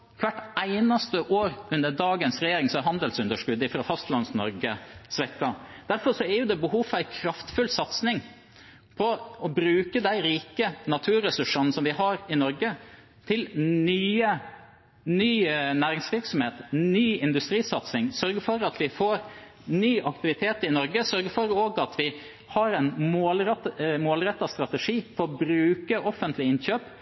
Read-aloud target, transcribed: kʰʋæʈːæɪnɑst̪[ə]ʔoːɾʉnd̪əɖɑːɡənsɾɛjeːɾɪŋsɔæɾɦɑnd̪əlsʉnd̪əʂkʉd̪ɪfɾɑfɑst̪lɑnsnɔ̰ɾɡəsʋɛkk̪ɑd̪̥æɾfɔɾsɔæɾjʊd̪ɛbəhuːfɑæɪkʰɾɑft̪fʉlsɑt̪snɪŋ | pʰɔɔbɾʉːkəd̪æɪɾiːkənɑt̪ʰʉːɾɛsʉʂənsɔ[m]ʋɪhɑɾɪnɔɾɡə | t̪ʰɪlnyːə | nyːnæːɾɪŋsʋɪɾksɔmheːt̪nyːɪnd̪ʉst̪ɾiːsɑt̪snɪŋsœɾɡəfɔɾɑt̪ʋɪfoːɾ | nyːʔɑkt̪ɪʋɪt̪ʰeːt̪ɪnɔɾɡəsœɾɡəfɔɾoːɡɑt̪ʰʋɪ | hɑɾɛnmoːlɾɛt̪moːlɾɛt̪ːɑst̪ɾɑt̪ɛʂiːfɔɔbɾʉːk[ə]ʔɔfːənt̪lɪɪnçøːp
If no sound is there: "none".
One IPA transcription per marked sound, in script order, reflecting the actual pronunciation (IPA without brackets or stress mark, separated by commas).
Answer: ə, m, ə